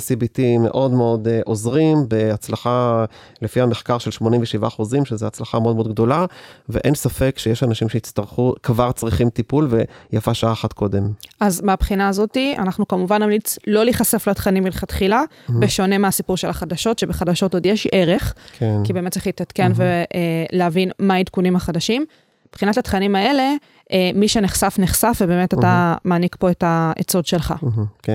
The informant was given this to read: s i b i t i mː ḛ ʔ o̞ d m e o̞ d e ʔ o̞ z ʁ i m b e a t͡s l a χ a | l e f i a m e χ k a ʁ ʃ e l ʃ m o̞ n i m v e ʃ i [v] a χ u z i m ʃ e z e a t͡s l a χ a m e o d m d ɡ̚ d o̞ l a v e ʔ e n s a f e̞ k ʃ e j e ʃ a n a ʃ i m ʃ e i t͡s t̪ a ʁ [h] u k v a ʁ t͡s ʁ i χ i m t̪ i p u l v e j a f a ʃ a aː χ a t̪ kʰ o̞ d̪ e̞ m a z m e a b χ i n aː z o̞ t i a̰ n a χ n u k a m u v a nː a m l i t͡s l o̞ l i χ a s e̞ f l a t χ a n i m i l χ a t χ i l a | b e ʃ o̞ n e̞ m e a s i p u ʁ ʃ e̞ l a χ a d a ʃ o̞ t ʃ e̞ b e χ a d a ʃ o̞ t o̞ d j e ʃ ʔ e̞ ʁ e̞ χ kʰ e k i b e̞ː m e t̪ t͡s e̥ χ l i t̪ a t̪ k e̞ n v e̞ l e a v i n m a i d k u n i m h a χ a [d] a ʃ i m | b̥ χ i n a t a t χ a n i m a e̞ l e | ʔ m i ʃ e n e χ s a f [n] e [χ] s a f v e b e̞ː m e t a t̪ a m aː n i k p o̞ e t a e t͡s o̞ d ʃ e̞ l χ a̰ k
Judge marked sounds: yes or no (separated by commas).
yes, no, yes, yes, yes